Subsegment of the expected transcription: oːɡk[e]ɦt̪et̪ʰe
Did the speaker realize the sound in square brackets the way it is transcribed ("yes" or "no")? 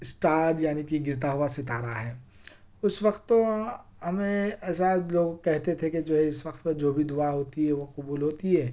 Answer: no